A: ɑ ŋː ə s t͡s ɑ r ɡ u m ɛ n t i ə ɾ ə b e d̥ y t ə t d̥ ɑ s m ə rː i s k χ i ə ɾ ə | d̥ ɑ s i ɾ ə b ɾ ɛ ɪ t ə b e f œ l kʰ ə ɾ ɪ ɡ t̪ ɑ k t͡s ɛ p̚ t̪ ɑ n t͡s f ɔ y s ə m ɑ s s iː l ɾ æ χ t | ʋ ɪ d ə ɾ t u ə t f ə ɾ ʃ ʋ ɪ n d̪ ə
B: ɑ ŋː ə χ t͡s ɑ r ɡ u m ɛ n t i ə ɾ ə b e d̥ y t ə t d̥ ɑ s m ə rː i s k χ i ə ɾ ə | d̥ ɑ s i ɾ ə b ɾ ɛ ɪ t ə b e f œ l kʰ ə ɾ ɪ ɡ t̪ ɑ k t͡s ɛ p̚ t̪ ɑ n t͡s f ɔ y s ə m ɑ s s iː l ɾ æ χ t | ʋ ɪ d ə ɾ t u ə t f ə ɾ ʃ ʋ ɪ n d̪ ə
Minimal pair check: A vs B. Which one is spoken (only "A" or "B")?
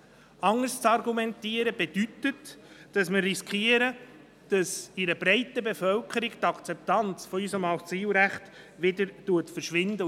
A